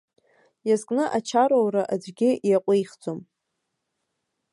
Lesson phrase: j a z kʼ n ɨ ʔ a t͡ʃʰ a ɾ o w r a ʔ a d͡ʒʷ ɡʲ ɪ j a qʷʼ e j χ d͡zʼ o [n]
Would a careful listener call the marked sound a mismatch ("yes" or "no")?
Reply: yes